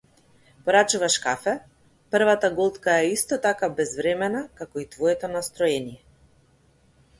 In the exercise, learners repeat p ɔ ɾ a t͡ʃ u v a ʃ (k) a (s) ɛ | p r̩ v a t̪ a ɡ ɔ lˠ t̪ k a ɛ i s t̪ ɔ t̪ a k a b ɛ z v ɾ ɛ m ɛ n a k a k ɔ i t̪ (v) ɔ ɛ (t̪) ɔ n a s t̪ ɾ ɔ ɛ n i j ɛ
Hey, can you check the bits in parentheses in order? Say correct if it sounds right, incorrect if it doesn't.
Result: correct, incorrect: f, correct, correct

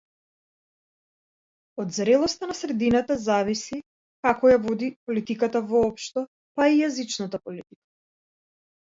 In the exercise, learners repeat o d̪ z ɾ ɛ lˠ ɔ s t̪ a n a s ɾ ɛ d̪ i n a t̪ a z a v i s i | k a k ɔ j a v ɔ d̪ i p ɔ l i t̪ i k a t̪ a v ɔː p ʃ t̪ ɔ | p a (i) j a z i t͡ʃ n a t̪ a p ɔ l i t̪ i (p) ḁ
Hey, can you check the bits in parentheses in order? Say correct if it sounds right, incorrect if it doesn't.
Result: correct, incorrect: k

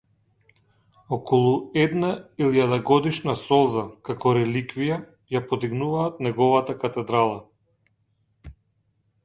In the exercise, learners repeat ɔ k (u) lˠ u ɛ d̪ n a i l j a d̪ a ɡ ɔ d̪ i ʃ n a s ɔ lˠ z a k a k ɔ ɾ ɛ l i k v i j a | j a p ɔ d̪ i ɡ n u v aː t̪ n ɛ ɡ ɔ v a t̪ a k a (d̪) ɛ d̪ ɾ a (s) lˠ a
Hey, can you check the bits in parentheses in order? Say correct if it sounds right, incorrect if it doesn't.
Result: incorrect: ɔ, incorrect: t̪, incorrect: none

